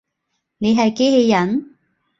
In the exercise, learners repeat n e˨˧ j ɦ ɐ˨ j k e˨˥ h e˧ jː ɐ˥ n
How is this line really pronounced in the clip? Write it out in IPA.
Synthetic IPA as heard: n e˨˧ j ɦ ɐ˨ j k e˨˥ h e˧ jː ɐ˨˩ n